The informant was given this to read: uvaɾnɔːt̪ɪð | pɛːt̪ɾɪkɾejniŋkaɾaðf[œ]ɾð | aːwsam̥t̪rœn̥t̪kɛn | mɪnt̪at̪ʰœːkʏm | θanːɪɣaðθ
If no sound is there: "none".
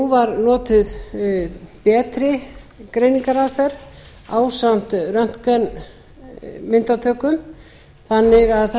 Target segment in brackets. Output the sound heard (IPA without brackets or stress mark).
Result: ɛ